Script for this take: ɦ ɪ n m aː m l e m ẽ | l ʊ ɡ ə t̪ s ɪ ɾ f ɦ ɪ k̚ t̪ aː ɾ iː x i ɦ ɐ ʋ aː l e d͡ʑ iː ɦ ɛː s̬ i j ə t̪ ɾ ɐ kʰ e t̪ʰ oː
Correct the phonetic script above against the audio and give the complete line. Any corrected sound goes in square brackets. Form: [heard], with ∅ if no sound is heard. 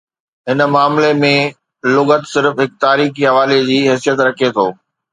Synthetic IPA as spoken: ɦ ɪ n m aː m l e m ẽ | l ʊ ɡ ə t̪ s ɪ ɾ f ɦ ɪ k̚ t̪ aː ɾ iː x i ɦ ɐ ʋ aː l e d͡ʑ iː ɦ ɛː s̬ i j ə t̪ ɾ ɐ kʰ e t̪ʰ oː